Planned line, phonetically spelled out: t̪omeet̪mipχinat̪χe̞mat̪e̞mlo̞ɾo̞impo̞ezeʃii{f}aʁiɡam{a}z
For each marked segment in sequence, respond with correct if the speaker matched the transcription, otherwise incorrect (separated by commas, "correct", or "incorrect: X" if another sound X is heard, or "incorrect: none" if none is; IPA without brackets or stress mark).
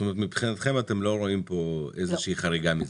incorrect: χ, incorrect: i